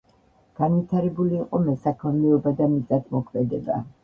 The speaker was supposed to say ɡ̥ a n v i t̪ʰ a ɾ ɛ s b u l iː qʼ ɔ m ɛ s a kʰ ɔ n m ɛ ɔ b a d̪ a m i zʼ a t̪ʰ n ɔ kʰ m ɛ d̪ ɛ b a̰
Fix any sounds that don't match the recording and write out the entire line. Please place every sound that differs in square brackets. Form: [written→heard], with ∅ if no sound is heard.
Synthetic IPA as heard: ɡ̥ a n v i t̪ʰ a ɾ ɛ [s→∅] b u l iː qʼ ɔ m ɛ s a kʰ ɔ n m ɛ ɔ b a d̪ a m i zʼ a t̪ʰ [n→m] ɔ kʰ m ɛ d̪ ɛ b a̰